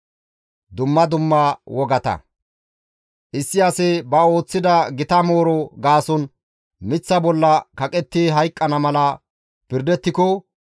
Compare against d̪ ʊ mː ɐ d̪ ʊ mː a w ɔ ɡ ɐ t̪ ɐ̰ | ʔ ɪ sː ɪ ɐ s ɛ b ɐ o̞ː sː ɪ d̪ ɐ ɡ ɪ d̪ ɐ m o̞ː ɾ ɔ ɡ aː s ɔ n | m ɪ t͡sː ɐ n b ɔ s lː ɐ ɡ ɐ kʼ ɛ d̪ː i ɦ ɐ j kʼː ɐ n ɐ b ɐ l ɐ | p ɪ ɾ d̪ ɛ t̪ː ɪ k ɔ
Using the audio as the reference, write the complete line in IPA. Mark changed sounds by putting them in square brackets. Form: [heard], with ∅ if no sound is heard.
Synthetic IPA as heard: d̪ ʊ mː ɐ d̪ ʊ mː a w ɔ ɡ ɐ t̪ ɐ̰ | ʔ ɪ sː ɪ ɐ s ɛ b ɐ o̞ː [t͡sː] ɪ d̪ ɐ ɡ ɪ [t̪] ɐ m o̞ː ɾ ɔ ɡ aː s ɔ n | m ɪ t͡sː ɐ [∅] b ɔ [∅] lː ɐ [k] ɐ kʼ ɛ [t̪ː] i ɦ ɐ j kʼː ɐ n ɐ [m] ɐ l ɐ | p ɪ ɾ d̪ ɛ t̪ː ɪ k ɔ